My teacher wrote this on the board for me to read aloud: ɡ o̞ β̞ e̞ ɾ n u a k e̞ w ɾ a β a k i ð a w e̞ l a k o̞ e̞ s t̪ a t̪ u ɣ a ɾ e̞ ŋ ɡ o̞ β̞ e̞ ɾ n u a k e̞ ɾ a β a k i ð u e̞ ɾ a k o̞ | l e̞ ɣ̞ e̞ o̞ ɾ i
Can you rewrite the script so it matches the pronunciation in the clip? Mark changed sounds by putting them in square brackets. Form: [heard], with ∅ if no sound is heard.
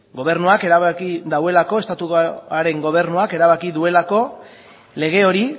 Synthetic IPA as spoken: ɡ o̞ β̞ e̞ ɾ n u a k e̞ [∅] ɾ a β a k i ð a w e̞ l a k o̞ e̞ s t̪ a t̪ u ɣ a ɾ e̞ ŋ ɡ o̞ β̞ e̞ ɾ n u a k e̞ ɾ a β a k i ð u e̞ [l] a k o̞ | l e̞ ɣ̞ e̞ o̞ ɾ i